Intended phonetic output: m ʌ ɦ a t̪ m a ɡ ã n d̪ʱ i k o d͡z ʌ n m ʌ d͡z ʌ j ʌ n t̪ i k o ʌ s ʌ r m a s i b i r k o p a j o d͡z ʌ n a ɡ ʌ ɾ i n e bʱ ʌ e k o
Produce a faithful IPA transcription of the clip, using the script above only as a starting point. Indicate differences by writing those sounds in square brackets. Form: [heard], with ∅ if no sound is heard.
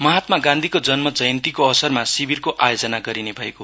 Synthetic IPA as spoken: m ʌ ɦ a t̪ m a ɡ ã n d̪ʱ i k o d͡z ʌ n m ʌ d͡z ʌ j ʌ n t̪ i k o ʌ s ʌ r m a s i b i r k o [ʔ] a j o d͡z ʌ n a ɡ ʌ ɾ i n e bʱ ʌ e k o

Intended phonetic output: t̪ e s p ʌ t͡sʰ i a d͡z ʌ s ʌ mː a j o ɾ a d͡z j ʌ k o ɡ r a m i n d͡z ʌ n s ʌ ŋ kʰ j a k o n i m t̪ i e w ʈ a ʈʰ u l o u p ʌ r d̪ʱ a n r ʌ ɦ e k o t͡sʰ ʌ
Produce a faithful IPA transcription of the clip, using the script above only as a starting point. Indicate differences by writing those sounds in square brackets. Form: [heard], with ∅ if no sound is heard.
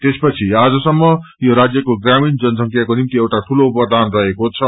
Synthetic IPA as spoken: t̪ e s p ʌ t͡sʰ i a d͡z ʌ s ʌ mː [ʌ] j o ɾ a d͡z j ʌ k o ɡ r a m i n d͡z ʌ n s ʌ ŋ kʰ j a k o n i m t̪ i e w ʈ a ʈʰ u l o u p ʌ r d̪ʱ a n r ʌ ɦ e k o t͡sʰ ʌ

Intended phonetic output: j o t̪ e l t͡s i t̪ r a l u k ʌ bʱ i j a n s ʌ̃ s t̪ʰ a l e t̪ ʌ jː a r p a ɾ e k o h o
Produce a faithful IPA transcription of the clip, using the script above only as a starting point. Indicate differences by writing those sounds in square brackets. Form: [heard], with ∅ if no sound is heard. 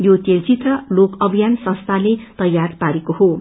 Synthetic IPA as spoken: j o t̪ e l t͡s i t̪ r [ʌ] l [o] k ʌ bʱ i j a n s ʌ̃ s t̪ʰ a l e t̪ ʌ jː a r p a ɾ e k o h o

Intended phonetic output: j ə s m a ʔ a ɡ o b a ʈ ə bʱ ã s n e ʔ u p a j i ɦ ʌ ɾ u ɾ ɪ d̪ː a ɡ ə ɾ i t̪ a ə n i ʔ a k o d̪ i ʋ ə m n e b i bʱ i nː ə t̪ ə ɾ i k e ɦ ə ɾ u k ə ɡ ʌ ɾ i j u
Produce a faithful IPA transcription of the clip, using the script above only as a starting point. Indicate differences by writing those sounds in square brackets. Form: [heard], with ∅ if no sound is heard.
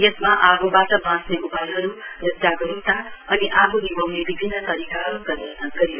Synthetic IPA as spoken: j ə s m a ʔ a ɡ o b a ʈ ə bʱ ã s n e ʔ u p a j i ɦ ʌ ɾ u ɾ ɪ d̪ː a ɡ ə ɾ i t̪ a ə n i ʔ a [ɡ] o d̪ i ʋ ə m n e b i bʱ i nː ə t̪ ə ɾ i k [a] ɦ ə ɾ u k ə ɡ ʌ ɾ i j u

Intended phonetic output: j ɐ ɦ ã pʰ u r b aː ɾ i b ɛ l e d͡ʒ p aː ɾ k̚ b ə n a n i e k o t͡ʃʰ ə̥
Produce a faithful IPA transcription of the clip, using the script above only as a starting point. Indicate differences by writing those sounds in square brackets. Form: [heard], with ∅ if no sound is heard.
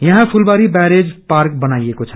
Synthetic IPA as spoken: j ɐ ɦ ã pʰ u [l] b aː ɾ i b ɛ [ɾ] e d͡ʒ p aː ɾ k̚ b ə n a [∅] i e k o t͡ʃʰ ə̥

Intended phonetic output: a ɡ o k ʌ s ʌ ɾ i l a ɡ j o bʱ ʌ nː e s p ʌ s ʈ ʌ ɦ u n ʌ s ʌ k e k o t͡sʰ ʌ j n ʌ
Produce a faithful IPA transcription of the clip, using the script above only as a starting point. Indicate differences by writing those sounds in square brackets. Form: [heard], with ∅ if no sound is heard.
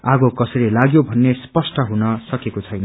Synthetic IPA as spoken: a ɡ o k ʌ s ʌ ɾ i l a ɡ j o bʱ ʌ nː e s p ʌ s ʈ ʌ ɦ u n ʌ s ʌ k e k o t͡sʰ ʌ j n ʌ

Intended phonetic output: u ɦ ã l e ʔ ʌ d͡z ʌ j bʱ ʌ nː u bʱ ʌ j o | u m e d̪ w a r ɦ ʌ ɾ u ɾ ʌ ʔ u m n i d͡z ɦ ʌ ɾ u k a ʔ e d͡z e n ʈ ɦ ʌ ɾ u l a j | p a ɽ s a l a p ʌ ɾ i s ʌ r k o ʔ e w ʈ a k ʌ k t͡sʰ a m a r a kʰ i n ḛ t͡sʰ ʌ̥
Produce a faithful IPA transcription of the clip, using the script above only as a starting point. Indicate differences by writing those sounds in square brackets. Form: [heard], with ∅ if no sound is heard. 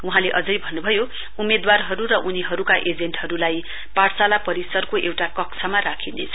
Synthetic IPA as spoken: u ɦ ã l e ʔ ʌ d͡z ʌ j bʱ ʌ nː u bʱ ʌ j o | u m e d̪ w a r ɦ ʌ ɾ u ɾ ʌ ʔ u [∅] n i [∅] ɦ ʌ ɾ u k a ʔ e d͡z e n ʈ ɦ ʌ ɾ u l a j | p a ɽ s a l a p ʌ ɾ i s ʌ r k o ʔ e w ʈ a k ʌ k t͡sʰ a m a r a kʰ i n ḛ t͡sʰ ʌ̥

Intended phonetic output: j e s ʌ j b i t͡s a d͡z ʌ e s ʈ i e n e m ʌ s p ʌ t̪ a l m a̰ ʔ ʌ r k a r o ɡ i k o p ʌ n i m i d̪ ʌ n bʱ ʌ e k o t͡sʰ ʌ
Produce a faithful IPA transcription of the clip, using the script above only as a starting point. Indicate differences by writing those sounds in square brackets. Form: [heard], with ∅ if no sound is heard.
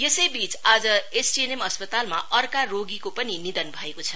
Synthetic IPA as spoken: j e s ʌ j b i t͡s a d͡z ʌ e s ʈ i e n e m ʌ s p ʌ t̪ a l m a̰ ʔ ʌ r k a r o ɡ i k o p ʌ n i [n] i d̪ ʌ n bʱ ʌ e k o t͡sʰ ʌ

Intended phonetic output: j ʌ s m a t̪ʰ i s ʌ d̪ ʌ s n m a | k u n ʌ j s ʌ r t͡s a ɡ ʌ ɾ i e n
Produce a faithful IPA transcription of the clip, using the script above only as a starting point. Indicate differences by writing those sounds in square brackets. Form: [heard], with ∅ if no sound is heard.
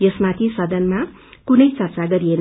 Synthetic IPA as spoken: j ʌ s m a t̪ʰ i s ʌ d̪ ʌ [∅] n m a | k u n ʌ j [t͡s] ʌ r t͡s a ɡ ʌ ɾ i e n

